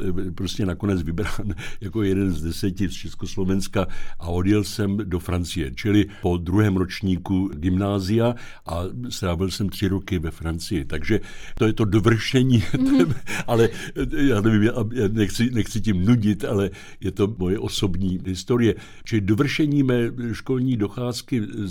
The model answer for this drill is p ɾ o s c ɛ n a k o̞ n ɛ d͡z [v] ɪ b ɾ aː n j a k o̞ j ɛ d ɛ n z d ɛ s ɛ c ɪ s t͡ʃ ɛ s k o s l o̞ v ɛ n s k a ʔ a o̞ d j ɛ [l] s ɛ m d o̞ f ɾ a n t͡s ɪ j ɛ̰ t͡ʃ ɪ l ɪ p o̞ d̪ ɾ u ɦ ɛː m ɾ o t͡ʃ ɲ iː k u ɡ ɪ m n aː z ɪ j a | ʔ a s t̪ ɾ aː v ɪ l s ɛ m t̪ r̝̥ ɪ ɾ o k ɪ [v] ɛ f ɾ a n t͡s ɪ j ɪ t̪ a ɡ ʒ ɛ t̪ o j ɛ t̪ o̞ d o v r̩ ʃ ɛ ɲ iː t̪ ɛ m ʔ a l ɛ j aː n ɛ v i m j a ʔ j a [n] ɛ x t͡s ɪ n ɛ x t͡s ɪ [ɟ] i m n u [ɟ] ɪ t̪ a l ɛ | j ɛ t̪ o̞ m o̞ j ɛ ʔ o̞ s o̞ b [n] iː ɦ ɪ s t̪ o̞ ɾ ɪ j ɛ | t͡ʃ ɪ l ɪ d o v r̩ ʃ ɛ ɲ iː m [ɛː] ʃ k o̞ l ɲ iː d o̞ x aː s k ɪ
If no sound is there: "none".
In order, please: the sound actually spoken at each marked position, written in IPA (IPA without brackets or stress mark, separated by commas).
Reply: v, l, v, n, c, ɟ, ɲ, ɛː